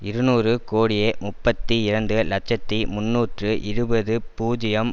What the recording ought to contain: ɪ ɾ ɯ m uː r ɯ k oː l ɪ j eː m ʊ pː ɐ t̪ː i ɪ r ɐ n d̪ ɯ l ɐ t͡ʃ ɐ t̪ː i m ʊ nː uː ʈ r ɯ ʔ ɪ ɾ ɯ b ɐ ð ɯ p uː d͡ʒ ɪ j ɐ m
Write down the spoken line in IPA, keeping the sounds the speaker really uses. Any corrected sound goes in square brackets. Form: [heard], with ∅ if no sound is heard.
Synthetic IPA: ɪ ɾ ɯ [n] uː r ɯ k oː [ɽ] ɪ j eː m ʊ pː ɐ t̪ː i ɪ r ɐ n d̪ ɯ l ɐ t͡ʃ ɐ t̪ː i m ʊ nː uː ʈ r ɯ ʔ ɪ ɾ ɯ b ɐ ð ɯ p uː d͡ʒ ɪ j ɐ m

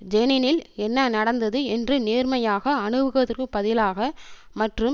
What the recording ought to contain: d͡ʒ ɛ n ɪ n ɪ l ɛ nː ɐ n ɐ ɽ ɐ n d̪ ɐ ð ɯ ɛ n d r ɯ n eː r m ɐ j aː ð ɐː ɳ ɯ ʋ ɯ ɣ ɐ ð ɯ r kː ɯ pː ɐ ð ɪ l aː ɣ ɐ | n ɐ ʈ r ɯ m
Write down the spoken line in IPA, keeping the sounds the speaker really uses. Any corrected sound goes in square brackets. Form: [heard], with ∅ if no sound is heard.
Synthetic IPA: d͡ʒ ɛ n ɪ n ɪ l ɛ nː ɐ n ɐ ɽ ɐ n d̪ ɐ ð ɯ ɛ n d r ɯ n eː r m ɐ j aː [ɣ] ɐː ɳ ɯ ʋ ɯ ɣ ɐ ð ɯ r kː ɯ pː ɐ ð ɪ l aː ɣ ɐ | [m] ɐ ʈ r ɯ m

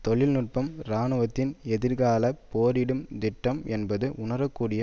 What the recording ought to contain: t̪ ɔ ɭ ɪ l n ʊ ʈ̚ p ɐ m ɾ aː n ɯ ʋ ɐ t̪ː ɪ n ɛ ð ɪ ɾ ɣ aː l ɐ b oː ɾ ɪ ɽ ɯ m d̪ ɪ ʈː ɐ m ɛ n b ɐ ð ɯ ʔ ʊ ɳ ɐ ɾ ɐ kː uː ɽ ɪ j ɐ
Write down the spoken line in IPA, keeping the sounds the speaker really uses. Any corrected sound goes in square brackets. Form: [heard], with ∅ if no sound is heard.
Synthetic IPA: t̪ ɔ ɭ ɪ l n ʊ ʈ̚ p ɐ m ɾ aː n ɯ ʋ ɐ t̪ː ɪ n ɛ ð ɪ ɾ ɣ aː l ɐ [p] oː ɾ ɪ ɽ ɯ m d̪ ɪ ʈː ɐ m ɛ n b ɐ ð ɯ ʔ ʊ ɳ ɐ ɾ ɐ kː uː ɽ ɪ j ɐ

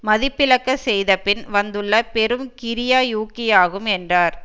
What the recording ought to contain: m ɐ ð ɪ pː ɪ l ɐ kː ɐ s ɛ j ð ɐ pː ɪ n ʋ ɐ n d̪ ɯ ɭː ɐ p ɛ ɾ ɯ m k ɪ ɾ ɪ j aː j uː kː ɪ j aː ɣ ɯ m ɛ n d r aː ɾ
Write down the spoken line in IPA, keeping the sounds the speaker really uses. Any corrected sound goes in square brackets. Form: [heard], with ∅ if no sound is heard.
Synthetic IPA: m ɐ ð ɪ pː ɪ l ɐ kː ɐ s ɛ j ð ɐ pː ɪ n ʋ ɐ n d̪ ɯ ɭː ɐ p ɛ ɾ ɯ m k ɪ ɾ ɪ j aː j uː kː ɪ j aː ɣ ɯ m ɛ n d r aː ɾ

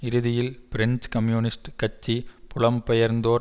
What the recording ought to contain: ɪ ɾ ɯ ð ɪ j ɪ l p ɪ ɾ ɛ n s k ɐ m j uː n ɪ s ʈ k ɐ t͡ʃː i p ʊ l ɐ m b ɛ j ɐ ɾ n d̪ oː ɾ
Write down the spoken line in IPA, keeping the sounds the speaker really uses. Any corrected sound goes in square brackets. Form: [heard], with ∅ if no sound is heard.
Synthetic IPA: ɪ ɾ ɯ ð ɪ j ɪ l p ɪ ɾ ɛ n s k ɐ m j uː n ɪ s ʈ k ɐ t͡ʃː i p ʊ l ɐ m [p] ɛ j ɐ ɾ n d̪ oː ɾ

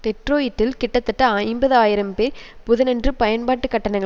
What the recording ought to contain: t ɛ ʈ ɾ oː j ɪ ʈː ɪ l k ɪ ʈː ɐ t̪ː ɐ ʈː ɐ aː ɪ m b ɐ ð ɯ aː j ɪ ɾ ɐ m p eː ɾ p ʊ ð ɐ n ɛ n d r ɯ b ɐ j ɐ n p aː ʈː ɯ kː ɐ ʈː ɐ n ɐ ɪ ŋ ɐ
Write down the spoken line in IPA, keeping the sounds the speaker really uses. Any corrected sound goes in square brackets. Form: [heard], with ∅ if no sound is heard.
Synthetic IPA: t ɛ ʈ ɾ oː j ɪ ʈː ɪ l k ɪ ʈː ɐ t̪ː ɐ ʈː ɐ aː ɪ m b ɐ ð ɯ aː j ɪ ɾ ɐ m p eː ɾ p ʊ ð ɐ n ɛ n d r ɯ [p] ɐ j ɐ n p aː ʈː ɯ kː ɐ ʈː ɐ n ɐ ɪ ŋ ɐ

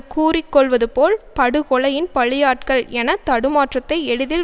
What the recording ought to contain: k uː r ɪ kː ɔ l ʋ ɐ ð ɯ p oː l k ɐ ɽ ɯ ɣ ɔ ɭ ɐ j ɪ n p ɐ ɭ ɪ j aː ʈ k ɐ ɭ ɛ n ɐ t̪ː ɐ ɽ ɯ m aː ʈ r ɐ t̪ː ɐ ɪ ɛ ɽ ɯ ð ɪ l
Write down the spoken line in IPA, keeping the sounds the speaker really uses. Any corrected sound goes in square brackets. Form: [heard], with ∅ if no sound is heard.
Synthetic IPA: k uː r ɪ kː ɔ [ɭ] ʋ ɐ ð ɯ p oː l [p] ɐ ɽ ɯ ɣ ɔ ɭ ɐ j ɪ n p ɐ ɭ ɪ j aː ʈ k ɐ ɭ ɛ n ɐ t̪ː ɐ ɽ ɯ m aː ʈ r ɐ t̪ː ɐ ɪ ɛ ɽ ɯ ð ɪ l

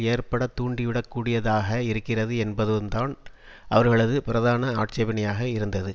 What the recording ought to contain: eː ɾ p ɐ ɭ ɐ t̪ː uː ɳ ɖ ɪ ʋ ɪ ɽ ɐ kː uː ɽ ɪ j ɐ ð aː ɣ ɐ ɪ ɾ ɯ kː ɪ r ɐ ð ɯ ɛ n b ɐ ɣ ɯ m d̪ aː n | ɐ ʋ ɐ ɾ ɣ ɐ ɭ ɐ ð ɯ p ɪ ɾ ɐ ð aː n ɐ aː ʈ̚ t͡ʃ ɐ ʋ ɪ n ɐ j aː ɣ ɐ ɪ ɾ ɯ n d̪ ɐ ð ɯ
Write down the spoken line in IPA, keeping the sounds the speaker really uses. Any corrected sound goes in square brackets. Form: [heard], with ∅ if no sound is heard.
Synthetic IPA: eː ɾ p ɐ [ɽ] ɐ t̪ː uː ɳ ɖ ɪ ʋ ɪ ɽ ɐ kː uː ɽ ɪ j ɐ ð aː ɣ ɐ ɪ ɾ ɯ kː ɪ r ɐ ð ɯ ɛ n b ɐ [ð] ɯ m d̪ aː n | ɐ ʋ ɐ ɾ ɣ ɐ ɭ ɐ ð ɯ p ɪ ɾ ɐ ð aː n ɐ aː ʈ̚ t͡ʃ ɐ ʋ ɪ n ɐ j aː ɣ ɐ ɪ ɾ ɯ n d̪ ɐ ð ɯ

